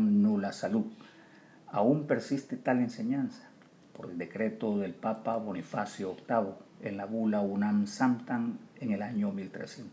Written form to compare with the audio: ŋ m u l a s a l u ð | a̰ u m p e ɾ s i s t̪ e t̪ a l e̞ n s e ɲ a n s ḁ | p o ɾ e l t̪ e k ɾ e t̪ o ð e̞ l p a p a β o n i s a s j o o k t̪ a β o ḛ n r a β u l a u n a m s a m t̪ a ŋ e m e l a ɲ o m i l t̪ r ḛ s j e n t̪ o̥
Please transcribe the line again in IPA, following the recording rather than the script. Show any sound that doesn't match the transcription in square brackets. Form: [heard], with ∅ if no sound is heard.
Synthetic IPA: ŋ [n] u l a s a l u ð | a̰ u m p e ɾ s i s t̪ e t̪ a l e̞ n s e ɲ a n s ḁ | p o ɾ e l [d̪] e k ɾ e t̪ o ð e̞ l p a p a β o n i [f] a s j o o k t̪ a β o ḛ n [l] a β u l a u n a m s a m t̪ a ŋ e [ŋ] e l a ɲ o m i l t̪ [ɾ] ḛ s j e n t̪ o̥